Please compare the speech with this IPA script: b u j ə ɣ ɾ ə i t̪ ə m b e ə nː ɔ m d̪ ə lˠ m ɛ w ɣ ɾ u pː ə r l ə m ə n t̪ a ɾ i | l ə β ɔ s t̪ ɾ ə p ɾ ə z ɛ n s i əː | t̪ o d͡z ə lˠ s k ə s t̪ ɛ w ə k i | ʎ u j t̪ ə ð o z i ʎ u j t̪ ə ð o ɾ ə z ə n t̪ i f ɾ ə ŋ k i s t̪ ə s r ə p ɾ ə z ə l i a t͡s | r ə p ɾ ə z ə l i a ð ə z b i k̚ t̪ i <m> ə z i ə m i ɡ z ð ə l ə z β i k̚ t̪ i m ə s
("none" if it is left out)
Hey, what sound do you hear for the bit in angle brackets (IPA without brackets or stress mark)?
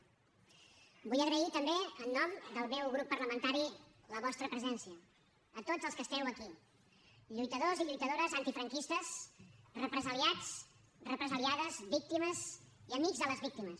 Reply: m